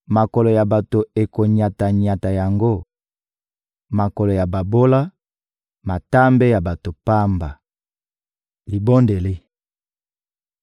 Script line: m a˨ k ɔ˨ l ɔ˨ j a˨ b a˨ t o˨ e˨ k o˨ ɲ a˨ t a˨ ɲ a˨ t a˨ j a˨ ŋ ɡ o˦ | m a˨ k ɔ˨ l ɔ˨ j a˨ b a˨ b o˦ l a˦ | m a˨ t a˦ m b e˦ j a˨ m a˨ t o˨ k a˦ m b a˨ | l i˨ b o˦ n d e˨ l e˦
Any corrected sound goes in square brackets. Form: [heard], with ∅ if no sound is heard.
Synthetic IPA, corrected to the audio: m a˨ k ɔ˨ l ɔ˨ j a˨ b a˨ t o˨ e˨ k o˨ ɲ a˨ t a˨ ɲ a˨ t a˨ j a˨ ŋ ɡ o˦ | m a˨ k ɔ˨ l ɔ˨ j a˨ b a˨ b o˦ l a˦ | m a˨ t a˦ m b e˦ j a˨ [b] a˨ t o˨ [p] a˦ m b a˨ | l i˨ b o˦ n d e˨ l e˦